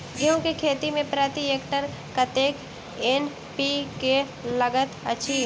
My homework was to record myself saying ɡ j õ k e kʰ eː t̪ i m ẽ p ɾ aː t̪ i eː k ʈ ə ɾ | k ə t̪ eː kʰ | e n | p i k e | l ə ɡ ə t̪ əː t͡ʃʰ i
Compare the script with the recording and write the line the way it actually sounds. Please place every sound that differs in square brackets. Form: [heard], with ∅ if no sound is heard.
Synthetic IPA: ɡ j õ k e kʰ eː t̪ i m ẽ p ɾ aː t̪ i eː k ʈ ə ɾ | k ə t̪ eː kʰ | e n | p i k e | l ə ɡ ə t̪ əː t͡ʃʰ i